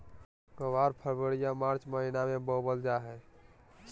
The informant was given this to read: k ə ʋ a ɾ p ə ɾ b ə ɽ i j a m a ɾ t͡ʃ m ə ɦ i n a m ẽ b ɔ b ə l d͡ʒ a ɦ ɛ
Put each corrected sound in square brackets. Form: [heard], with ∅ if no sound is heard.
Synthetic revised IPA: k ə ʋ a ɾ [pʰ] ə ɾ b ə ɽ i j a m a ɾ t͡ʃ m ə ɦ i n a m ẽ b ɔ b ə l d͡ʒ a ɦ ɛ